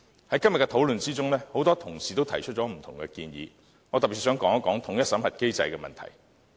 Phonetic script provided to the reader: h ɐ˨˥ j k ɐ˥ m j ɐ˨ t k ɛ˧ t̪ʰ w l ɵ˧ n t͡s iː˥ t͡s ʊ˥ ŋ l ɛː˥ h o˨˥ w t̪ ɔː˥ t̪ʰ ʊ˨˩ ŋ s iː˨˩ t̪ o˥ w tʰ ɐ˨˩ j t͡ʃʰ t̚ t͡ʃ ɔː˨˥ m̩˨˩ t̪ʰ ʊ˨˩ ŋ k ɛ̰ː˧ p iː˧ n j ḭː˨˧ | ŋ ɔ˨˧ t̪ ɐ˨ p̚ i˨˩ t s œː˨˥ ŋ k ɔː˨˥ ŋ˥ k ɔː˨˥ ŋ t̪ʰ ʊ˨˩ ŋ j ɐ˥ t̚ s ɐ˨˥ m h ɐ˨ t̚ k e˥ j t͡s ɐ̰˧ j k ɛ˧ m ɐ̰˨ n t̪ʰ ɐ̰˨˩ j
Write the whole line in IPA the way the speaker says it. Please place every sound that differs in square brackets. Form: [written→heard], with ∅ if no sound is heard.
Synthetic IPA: h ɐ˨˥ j k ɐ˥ m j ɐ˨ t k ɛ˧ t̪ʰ w l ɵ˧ n t͡s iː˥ t͡s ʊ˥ ŋ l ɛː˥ h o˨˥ w t̪ ɔː˥ t̪ʰ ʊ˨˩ ŋ s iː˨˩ t̪ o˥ w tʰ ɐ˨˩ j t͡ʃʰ t̚ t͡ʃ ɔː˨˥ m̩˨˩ t̪ʰ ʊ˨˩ ŋ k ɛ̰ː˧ [p→k] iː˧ n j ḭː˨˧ | ŋ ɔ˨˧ t̪ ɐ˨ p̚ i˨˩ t s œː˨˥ ŋ k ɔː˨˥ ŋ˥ k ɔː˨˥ ŋ t̪ʰ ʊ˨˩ ŋ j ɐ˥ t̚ s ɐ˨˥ m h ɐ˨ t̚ k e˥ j t͡s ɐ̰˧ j k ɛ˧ m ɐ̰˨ n t̪ʰ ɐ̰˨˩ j

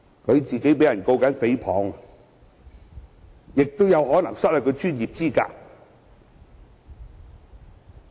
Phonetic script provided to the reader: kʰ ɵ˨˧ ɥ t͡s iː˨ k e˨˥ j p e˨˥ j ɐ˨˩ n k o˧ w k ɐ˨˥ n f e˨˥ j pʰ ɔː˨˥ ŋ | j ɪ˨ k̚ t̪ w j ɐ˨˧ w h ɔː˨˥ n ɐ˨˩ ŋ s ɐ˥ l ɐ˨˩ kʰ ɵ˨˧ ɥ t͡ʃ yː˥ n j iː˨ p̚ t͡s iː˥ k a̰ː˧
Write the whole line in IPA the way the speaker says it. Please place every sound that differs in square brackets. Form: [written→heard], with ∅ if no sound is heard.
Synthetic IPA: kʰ ɵ˨˧ ɥ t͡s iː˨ k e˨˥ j p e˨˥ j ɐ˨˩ n k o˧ w k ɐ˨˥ n f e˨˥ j pʰ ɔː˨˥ ŋ | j ɪ˨ k̚ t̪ w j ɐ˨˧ w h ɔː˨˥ n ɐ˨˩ ŋ s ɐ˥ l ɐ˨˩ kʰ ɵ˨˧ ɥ t͡ʃ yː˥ n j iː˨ p̚ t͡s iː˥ k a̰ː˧

